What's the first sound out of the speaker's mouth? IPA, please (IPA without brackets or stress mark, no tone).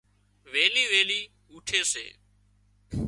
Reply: ʋ